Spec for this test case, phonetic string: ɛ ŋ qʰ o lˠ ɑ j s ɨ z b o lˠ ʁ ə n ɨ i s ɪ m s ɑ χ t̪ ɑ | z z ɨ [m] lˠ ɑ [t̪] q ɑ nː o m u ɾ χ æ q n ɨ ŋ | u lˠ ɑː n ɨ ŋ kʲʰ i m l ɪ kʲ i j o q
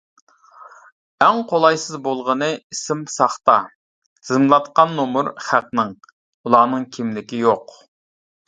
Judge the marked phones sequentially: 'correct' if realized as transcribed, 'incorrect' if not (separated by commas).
correct, correct